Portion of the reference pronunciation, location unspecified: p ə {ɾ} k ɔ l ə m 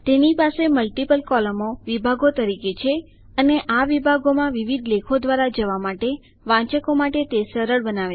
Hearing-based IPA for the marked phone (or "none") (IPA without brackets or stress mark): l